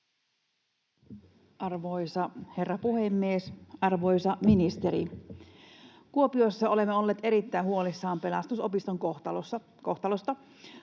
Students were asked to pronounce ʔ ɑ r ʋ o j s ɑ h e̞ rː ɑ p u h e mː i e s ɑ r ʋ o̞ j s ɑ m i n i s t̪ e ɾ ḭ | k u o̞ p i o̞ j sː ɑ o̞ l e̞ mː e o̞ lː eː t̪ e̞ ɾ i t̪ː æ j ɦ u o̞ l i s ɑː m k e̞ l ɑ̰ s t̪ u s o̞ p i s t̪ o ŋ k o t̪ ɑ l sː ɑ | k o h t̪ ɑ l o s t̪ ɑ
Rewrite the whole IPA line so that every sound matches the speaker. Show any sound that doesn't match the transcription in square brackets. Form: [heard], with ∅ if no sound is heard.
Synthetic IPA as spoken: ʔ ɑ r ʋ o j s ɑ h e̞ rː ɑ p u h e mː i e s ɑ r ʋ o̞ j s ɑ m i n i s t̪ e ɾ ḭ | k u o̞ p i o̞ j sː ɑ o̞ l e̞ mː e o̞ lː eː t̪ e̞ ɾ i t̪ː æ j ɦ u o̞ l i [sː] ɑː m [p] e̞ l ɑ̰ s t̪ u s o̞ p i s t̪ o ŋ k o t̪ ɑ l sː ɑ | k o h t̪ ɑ l o s t̪ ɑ